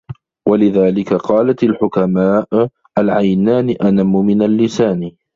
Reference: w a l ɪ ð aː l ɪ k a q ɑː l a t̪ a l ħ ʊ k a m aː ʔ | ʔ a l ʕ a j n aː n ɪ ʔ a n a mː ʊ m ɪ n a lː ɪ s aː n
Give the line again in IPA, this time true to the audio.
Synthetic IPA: w a l ɪ ð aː l ɪ k a q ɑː l a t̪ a l ħ ʊ k a m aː ʔ | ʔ a l ʕ a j n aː n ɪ ʔ a n a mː ʊ m ɪ n a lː ɪ s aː n